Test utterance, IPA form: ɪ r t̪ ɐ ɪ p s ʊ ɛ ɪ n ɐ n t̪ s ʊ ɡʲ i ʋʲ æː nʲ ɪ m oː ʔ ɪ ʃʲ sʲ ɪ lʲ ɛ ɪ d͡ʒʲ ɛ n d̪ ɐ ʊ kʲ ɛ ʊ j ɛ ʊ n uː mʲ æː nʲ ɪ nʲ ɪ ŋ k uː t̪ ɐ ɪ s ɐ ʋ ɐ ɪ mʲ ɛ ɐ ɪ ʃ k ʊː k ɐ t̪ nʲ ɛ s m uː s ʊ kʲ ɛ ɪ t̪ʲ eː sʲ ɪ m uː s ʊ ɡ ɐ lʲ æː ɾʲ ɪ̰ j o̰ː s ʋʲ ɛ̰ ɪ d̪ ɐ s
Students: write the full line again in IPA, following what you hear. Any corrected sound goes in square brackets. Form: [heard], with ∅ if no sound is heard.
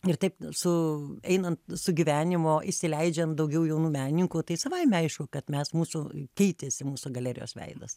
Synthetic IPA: ɪ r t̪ ɐ ɪ p s ʊ ɛ ɪ n ɐ n t̪ s ʊ ɡʲ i ʋʲ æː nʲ ɪ m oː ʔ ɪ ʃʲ sʲ ɪ lʲ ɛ ɪ d͡ʒʲ ɛ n d̪ ɐ ʊ [ɡʲ] ɛ ʊ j ɛ ʊ n uː mʲ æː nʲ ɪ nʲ ɪ ŋ k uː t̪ ɐ ɪ s ɐ ʋ ɐ ɪ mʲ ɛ ɐ ɪ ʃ k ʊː k ɐ t̪ [mʲ] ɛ s m uː s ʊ kʲ ɛ ɪ t̪ʲ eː sʲ ɪ m uː s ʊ ɡ ɐ lʲ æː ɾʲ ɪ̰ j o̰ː s ʋʲ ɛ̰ ɪ d̪ ɐ s

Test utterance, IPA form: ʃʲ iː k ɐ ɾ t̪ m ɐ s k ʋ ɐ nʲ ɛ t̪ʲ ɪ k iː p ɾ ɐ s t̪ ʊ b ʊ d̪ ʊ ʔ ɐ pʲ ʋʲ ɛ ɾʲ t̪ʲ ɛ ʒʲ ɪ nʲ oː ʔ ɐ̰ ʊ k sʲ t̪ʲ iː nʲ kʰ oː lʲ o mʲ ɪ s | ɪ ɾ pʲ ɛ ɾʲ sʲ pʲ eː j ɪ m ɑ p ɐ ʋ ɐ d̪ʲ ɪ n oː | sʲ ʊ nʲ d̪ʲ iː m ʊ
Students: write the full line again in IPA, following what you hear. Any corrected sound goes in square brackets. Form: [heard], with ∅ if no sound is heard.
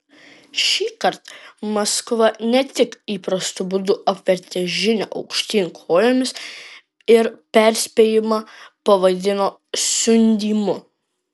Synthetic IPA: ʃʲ iː k ɐ ɾ t̪ m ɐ s k ʋ ɐ nʲ ɛ t̪ʲ ɪ k iː p ɾ ɐ s t̪ ʊ b ʊ d̪ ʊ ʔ ɐ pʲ ʋʲ ɛ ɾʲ t̪ʲ ɛ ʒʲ ɪ nʲ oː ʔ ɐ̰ ʊ k [ʃʲ] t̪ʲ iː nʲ kʰ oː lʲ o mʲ ɪ s | ɪ ɾ pʲ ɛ ɾʲ sʲ pʲ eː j ɪ m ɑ p ɐ ʋ ɐ d̪ʲ ɪ n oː | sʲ ʊ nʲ d̪ʲ iː m ʊ

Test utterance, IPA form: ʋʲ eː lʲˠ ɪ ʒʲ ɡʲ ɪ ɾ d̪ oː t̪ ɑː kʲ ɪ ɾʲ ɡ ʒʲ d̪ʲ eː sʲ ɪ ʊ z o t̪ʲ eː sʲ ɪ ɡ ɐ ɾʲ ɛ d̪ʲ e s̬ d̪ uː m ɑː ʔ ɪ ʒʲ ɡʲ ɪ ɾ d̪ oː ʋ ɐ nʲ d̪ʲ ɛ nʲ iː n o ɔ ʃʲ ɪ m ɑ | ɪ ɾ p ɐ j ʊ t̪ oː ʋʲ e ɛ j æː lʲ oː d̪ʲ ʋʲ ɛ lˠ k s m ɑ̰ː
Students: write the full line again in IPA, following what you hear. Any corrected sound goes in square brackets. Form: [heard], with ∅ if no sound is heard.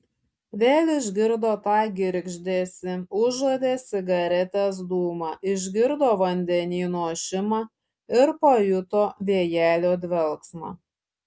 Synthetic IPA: ʋʲ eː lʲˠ ɪ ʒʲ ɡʲ ɪ ɾ d̪ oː t̪ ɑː [ɡʲ] ɪ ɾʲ ɡ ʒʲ d̪ʲ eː sʲ ɪ ʊ [ʒ] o [d̪ʲ] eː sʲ ɪ ɡ ɐ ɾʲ ɛ [t̪ʲ] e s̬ d̪ uː m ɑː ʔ ɪ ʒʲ ɡʲ ɪ ɾ d̪ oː ʋ ɐ nʲ d̪ʲ ɛ nʲ iː n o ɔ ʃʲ ɪ m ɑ | ɪ ɾ p ɐ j ʊ t̪ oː ʋʲ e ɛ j æː lʲ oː d̪ʲ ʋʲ ɛ lˠ k s m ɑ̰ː

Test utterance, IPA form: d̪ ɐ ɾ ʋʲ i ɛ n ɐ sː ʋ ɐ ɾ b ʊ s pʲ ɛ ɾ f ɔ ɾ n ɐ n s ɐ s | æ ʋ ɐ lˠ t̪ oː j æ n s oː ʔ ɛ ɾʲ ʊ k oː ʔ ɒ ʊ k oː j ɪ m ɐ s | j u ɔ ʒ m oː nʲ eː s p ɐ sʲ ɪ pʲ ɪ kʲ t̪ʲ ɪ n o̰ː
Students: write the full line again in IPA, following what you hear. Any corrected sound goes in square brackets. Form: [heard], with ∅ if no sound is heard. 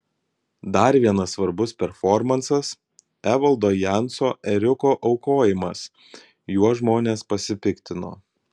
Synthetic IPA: d̪ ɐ ɾ ʋʲ i ɛ n ɐ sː ʋ ɐ ɾ b ʊ s pʲ ɛ ɾ f ɔ ɾ [m] ɐ n s ɐ s | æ ʋ ɐ lˠ [d̪] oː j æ n s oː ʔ ɛ ɾʲ ʊ k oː ʔ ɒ ʊ k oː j ɪ m ɐ s | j u ɔ ʒ m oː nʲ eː s p ɐ sʲ ɪ pʲ ɪ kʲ t̪ʲ ɪ n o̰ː

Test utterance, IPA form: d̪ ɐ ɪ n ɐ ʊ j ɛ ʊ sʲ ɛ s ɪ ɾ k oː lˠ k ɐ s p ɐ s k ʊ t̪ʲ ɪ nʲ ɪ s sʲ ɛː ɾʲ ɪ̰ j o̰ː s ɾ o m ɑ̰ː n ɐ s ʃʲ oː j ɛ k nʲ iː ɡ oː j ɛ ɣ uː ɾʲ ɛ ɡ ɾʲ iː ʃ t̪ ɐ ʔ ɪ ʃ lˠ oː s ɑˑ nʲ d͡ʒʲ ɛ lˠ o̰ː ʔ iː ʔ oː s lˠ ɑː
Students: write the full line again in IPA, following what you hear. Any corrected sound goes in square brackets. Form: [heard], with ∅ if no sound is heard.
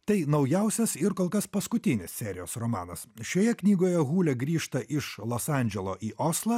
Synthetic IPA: [t̪] ɐ ɪ n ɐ ʊ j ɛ ʊ sʲ ɛ s ɪ ɾ k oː lˠ k ɐ s p ɐ s k ʊ t̪ʲ ɪ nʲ ɪ s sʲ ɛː ɾʲ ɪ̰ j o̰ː s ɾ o m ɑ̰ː n ɐ s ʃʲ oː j ɛ k nʲ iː ɡ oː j ɛ ɣ uː [lʲ] ɛ ɡ ɾʲ iː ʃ t̪ ɐ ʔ ɪ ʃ lˠ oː s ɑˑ nʲ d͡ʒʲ ɛ lˠ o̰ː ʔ iː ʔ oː s lˠ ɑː

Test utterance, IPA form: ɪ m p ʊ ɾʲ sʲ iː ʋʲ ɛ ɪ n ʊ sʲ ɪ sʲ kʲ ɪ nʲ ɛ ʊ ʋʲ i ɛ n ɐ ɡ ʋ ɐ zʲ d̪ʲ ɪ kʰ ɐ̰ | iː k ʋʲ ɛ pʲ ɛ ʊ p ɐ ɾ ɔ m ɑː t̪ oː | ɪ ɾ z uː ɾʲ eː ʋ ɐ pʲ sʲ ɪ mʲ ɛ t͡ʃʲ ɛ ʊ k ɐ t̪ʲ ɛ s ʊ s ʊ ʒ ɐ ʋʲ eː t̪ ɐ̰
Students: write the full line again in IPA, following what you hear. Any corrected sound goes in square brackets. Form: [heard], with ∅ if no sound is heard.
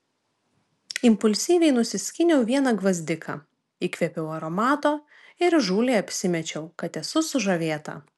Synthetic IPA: ɪ m p ʊ [lʲ] sʲ iː ʋʲ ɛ ɪ n ʊ sʲ ɪ sʲ kʲ ɪ nʲ ɛ ʊ ʋʲ i ɛ n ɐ ɡ ʋ ɐ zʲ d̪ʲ ɪ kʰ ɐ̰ | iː k ʋʲ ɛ pʲ ɛ ʊ [∅] ɐ ɾ ɔ m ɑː t̪ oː | ɪ ɾ [ʒ] uː [lʲ] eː [∅] ɐ pʲ sʲ ɪ mʲ ɛ t͡ʃʲ ɛ ʊ k ɐ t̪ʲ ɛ s ʊ s ʊ ʒ ɐ ʋʲ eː t̪ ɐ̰

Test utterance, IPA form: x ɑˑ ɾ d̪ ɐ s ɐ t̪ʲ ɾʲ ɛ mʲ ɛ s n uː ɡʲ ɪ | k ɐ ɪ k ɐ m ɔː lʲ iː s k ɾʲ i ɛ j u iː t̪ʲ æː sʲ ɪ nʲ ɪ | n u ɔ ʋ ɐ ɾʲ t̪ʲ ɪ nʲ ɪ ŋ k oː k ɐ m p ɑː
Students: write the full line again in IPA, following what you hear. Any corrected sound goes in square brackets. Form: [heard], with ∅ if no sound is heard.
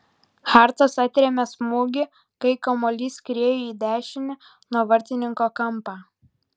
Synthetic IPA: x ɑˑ ɾ [t̪] ɐ s ɐ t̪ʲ ɾʲ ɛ mʲ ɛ s [m] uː ɡʲ ɪ | k ɐ ɪ k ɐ m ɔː lʲ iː s k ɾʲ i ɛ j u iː [d̪ʲ] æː [ʃʲ] ɪ nʲ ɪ | n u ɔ ʋ ɐ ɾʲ t̪ʲ ɪ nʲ ɪ ŋ k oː k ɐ m p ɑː

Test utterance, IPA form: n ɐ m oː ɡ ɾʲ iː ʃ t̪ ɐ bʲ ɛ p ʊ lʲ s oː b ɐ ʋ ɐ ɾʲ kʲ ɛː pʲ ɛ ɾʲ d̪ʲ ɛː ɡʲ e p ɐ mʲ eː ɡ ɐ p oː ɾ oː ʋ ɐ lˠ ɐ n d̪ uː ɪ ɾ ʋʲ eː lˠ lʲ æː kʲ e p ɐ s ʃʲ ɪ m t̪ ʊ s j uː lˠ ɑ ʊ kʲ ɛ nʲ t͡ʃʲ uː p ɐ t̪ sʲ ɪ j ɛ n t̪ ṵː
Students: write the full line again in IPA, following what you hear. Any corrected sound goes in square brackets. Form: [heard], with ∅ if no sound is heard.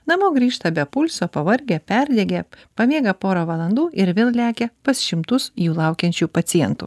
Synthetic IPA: n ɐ m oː ɡ ɾʲ iː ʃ t̪ ɐ bʲ ɛ p ʊ lʲ s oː [p] ɐ ʋ ɐ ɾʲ [ɡʲ] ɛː pʲ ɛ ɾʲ d̪ʲ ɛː ɡʲ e p ɐ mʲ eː ɡ ɐ p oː ɾ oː ʋ ɐ lˠ ɐ n d̪ uː ɪ ɾ ʋʲ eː lˠ lʲ æː kʲ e p ɐ s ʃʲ ɪ m t̪ ʊ s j uː lˠ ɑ ʊ kʲ ɛ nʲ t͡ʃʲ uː p ɐ t̪ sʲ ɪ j ɛ n t̪ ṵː

